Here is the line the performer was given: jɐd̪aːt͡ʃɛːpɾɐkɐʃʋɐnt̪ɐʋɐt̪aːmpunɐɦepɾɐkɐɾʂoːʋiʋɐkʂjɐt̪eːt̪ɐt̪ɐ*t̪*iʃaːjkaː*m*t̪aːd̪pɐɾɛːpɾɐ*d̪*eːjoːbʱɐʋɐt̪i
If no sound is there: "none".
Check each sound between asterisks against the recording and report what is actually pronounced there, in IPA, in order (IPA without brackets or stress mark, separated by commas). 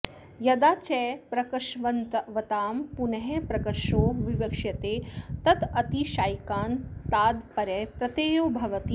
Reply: t̪, n, t̪